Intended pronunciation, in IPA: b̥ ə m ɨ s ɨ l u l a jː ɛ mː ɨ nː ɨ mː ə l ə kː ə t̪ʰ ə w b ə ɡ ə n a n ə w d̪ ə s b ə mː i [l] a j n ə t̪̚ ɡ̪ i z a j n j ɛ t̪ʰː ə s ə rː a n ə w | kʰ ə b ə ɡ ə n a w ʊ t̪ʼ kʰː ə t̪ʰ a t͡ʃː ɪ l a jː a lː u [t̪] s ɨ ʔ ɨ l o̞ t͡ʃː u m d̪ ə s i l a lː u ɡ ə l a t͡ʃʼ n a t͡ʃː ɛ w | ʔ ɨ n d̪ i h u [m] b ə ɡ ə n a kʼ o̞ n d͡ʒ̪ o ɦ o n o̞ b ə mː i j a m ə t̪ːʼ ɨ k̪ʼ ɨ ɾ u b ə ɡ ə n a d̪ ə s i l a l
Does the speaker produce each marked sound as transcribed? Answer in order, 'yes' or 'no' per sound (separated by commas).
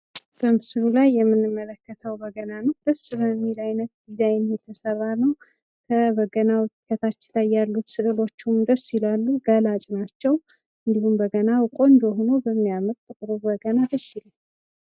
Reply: yes, yes, yes